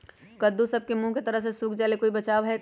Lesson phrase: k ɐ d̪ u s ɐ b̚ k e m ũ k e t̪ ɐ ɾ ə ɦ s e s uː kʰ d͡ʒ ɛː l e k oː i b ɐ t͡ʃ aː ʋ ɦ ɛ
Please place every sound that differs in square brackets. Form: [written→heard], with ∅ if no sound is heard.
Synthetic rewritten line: k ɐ d̪ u s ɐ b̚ k e m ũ k e t̪ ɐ ɾ ə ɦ s e s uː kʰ d͡ʒ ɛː l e k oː i b ɐ t͡ʃ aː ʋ ɦ ɛ